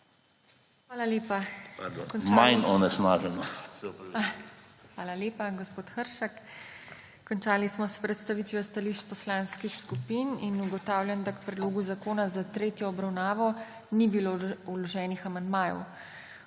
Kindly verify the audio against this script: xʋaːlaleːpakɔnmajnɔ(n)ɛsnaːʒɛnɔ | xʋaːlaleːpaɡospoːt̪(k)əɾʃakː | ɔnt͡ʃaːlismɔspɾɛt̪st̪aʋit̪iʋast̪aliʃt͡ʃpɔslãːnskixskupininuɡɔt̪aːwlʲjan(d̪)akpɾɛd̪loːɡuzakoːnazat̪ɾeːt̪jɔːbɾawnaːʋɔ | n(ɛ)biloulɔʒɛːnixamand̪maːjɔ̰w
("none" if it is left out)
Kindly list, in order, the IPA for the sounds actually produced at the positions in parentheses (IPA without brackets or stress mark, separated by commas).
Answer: n, x, d̪, i